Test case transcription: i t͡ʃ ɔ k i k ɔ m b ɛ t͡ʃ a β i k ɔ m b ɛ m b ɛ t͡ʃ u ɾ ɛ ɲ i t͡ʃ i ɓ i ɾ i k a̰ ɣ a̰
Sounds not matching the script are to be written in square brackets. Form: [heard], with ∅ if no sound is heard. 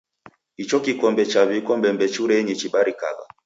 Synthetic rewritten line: i t͡ʃ ɔ k i k ɔ m b ɛ t͡ʃ a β i k ɔ m b ɛ m b ɛ t͡ʃ u ɾ ɛ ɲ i t͡ʃ i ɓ [a] ɾ i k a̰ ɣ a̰